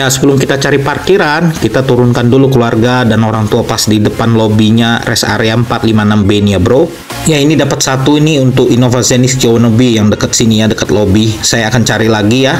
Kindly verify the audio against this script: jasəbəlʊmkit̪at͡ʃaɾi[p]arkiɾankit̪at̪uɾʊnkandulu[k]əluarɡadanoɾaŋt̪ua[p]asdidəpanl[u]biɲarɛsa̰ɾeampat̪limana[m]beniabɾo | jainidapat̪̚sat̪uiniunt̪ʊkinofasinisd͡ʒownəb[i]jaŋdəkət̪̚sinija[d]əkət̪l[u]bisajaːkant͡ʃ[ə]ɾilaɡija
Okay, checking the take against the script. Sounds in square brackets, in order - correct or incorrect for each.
correct, correct, correct, incorrect: o, correct, correct, correct, incorrect: o, incorrect: a

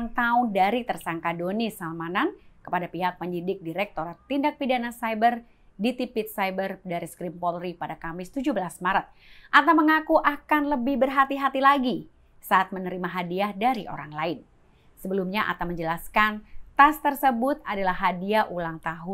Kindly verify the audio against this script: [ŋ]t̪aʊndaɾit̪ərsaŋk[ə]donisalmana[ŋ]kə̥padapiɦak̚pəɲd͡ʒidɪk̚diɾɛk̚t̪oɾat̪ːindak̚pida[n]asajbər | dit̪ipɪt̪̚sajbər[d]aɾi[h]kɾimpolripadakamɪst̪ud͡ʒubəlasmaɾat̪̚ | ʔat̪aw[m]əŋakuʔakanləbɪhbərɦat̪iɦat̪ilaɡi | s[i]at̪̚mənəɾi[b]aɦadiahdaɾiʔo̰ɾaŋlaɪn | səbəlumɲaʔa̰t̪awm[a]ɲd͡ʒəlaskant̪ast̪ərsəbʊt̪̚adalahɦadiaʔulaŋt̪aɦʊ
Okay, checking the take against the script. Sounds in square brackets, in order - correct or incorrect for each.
correct, incorrect: a, incorrect: n, correct, correct, incorrect: s, correct, incorrect: a, incorrect: m, incorrect: ə

